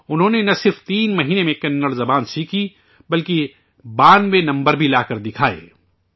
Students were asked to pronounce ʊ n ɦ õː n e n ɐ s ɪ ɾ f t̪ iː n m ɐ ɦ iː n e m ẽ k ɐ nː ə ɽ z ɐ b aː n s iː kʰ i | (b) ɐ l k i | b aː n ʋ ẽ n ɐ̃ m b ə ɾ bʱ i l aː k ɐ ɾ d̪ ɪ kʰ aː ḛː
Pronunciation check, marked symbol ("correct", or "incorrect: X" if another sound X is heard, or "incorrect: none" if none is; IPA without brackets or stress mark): correct